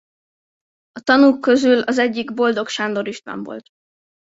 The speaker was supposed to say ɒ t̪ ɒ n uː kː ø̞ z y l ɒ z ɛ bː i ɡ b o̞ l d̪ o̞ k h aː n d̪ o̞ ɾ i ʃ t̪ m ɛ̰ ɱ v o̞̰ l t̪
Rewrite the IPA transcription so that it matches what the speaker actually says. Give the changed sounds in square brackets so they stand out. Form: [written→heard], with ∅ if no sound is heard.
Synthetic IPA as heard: ɒ t̪ ɒ n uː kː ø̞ z y l ɒ z ɛ [bː→ɟː] i ɡ b o̞ l d̪ o̞ k [h→ʃ] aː n d̪ o̞ ɾ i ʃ t̪ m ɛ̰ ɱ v o̞̰ l t̪

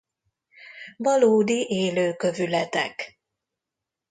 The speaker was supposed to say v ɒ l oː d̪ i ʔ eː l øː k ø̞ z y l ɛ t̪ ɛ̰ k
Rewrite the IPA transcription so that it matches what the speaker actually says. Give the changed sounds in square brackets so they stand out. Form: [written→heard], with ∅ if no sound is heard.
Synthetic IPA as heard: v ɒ l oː d̪ i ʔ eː l øː k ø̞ [z→v] y l ɛ t̪ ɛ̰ k

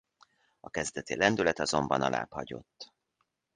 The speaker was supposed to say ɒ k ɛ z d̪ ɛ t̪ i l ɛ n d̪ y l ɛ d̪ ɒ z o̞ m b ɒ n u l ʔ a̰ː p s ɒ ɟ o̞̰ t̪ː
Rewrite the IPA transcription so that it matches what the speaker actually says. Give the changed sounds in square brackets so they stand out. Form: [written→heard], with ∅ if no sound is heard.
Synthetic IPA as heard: ɒ k ɛ z d̪ ɛ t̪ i l ɛ n d̪ y l ɛ [d̪→t̪] ɒ z o̞ m b ɒ n [u→ɒ] l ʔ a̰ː p [s→h] ɒ ɟ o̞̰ t̪ː

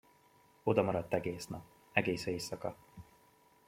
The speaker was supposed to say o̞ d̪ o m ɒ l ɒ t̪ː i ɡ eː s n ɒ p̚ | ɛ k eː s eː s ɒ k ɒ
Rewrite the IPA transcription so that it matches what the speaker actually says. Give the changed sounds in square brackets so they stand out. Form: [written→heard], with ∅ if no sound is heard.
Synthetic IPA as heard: o̞ d̪ [o→ɒ] m ɒ [l→ɾ] ɒ t̪ː [i→ɛ] ɡ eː s n ɒ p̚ | ɛ [k→ɡ] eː s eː s ɒ k ɒ

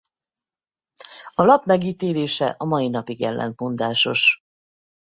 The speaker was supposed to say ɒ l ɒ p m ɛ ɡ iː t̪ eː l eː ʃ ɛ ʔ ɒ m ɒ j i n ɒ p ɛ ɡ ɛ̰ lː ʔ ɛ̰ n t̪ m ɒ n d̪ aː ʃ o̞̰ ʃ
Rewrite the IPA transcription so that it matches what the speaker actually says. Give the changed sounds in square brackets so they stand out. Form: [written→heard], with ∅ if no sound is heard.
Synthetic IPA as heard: ɒ l ɒ p m ɛ ɡ iː t̪ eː l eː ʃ ɛ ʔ ɒ m ɒ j i n ɒ p [ɛ→i] ɡ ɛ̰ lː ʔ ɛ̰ n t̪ m [ɒ→o] n d̪ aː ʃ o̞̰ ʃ

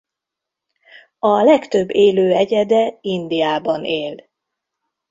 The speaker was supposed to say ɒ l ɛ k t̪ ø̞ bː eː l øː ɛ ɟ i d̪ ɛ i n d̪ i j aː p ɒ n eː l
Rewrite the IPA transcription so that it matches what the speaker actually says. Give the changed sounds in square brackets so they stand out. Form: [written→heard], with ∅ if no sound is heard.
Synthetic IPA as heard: ɒ l ɛ k t̪ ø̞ bː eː l øː ɛ ɟ [i→ɛ] d̪ ɛ i n d̪ i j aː [p→b] ɒ n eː l

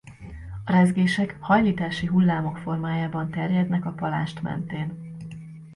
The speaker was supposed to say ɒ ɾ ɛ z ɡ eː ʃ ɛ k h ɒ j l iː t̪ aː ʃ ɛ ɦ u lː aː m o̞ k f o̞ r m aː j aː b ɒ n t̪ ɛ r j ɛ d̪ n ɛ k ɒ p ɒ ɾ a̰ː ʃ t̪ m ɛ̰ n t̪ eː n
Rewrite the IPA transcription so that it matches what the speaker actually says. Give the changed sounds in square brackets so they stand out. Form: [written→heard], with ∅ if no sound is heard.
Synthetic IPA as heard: ɒ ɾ ɛ z ɡ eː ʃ ɛ k h ɒ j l iː t̪ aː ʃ [ɛ→i] ɦ u lː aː m o̞ k f o̞ r m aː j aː b ɒ n t̪ ɛ r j ɛ d̪ n ɛ k ɒ p ɒ [ɾ→l] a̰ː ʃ t̪ m ɛ̰ n t̪ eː n

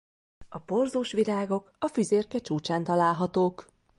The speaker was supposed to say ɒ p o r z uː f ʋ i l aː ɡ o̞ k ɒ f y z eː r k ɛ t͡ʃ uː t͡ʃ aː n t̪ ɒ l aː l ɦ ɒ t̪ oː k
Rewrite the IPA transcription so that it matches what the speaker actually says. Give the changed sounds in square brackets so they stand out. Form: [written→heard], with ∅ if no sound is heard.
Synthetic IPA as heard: ɒ p o r z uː [f→ʃ] ʋ i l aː ɡ o̞ k ɒ f y z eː r k ɛ t͡ʃ uː t͡ʃ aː n t̪ ɒ l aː l ɦ ɒ t̪ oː k

